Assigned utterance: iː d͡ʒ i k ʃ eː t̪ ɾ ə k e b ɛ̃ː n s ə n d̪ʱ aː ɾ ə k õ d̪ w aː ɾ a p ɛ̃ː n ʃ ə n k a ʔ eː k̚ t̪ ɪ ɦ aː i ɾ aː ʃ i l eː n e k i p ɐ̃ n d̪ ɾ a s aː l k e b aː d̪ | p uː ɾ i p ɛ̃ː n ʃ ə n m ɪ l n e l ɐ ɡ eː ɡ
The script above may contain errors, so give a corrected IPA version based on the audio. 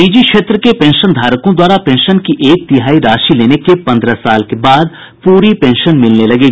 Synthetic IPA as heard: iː d͡ʒ i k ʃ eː t̪ ɾ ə k e p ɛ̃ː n ʃ ə n d̪ʱ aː ɾ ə k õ d̪ w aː ɾ a p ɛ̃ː n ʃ ə n k i ʔ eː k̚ t̪ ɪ ɦ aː i ɾ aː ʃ i l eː n e k e p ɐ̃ n d̪ ɾ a s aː l k e b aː d̪ | p uː ɾ i p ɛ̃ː n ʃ ə n m ɪ l n e l ɐ ɡ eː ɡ